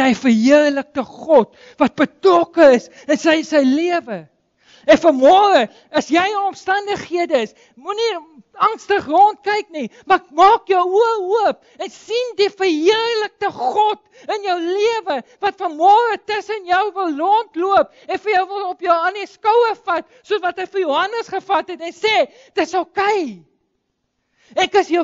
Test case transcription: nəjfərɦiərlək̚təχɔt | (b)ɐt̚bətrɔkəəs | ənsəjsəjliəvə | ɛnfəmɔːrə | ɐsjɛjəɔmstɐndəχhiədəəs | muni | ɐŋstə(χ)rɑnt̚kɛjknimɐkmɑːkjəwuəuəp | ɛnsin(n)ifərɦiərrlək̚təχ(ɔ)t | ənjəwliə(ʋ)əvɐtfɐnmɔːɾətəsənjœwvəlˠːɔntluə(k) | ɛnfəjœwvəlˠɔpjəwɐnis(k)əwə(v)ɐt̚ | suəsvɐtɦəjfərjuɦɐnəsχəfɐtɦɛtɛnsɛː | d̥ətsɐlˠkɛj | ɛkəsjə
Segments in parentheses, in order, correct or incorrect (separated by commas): incorrect, correct, incorrect, correct, incorrect, incorrect, correct, incorrect